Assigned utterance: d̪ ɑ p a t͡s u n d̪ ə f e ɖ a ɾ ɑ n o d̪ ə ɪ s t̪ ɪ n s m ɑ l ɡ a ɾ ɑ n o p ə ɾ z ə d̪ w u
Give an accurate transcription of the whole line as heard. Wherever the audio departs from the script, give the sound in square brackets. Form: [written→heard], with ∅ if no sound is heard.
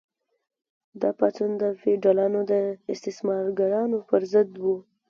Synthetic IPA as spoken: d̪ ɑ p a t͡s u n d̪ ə f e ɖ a [ɾ→l] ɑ n o d̪ ə ɪ s t̪ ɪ [n→∅] s m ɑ [l→ɾ] ɡ a ɾ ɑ n o p ə ɾ z ə d̪ w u